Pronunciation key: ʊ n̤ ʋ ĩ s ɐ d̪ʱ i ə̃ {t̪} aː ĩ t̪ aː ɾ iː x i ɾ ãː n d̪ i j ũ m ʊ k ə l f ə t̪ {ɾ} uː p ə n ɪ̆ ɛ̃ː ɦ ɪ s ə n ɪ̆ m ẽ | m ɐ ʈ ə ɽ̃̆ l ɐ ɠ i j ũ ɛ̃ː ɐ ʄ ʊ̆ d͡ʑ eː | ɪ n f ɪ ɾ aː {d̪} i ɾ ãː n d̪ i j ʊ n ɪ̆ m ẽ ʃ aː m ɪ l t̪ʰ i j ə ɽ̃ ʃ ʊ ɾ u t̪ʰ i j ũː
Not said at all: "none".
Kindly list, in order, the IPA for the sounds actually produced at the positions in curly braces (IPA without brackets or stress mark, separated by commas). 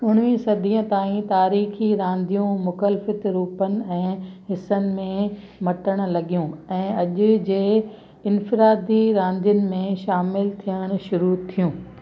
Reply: t̪, ɾ, d̪